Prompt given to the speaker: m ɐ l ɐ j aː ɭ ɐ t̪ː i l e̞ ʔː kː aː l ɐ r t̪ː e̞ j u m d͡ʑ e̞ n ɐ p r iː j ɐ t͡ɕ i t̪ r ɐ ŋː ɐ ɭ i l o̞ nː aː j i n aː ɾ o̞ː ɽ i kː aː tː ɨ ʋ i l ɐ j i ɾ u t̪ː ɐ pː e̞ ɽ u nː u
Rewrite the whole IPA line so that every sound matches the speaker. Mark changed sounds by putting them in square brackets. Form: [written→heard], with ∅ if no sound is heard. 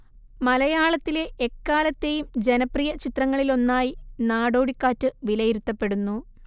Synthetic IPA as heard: m ɐ l ɐ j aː ɭ ɐ t̪ː i l e̞ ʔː kː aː l ɐ [r→∅] t̪ː e̞ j u m d͡ʑ e̞ n ɐ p r [iː→i] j ɐ t͡ɕ i t̪ r ɐ ŋː ɐ ɭ i l o̞ nː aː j i n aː [ɾ→ɽ] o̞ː ɽ i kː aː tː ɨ ʋ i l ɐ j i ɾ u t̪ː ɐ pː e̞ ɽ u nː u